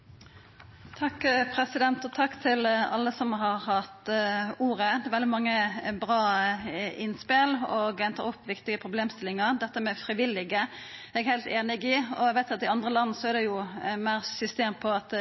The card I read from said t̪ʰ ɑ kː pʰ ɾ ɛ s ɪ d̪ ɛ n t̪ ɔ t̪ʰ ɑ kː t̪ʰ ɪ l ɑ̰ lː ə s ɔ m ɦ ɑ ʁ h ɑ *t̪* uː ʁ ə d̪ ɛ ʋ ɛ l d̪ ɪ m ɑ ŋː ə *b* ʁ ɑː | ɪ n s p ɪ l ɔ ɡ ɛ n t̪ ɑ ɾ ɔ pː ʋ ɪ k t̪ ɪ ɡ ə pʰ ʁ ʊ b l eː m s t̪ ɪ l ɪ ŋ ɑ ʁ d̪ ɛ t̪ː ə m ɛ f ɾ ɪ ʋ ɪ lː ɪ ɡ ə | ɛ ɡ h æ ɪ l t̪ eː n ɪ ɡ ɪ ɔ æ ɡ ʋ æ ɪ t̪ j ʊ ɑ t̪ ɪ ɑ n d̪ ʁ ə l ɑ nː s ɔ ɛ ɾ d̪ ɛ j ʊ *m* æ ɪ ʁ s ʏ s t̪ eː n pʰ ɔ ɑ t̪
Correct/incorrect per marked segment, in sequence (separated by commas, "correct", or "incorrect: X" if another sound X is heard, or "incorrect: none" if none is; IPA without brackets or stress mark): correct, correct, correct